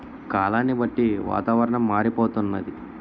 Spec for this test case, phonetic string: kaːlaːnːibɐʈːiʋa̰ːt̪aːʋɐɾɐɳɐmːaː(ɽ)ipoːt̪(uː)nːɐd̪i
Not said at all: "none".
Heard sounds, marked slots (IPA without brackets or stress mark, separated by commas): ɾ, u